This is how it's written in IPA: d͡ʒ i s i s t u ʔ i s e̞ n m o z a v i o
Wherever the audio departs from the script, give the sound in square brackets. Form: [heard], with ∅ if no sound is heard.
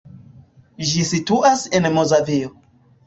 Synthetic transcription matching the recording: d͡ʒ i s i [∅] t u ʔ [a] s e̞ n m o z a v i o